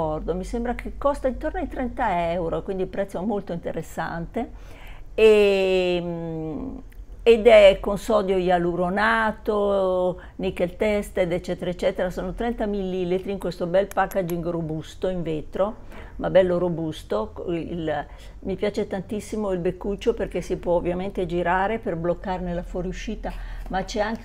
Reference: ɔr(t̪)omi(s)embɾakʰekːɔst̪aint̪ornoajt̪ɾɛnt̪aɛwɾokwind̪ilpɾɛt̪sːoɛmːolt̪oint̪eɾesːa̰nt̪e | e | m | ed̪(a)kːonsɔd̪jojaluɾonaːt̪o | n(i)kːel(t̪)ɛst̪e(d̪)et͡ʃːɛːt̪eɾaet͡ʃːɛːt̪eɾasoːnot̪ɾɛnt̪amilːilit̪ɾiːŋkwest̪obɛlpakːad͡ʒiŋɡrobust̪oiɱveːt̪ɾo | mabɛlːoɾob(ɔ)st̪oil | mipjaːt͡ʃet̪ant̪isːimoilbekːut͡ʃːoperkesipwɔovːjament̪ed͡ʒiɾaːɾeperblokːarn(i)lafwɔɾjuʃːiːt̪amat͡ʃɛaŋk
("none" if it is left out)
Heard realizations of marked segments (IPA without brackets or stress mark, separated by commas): d̪, s, ɛ, i, t̪, d̪, u, e